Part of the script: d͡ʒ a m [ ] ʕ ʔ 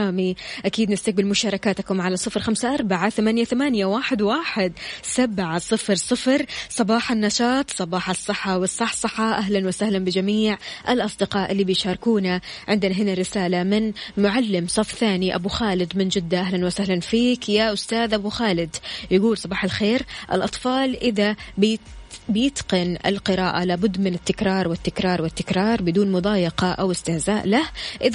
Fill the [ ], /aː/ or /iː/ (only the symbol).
iː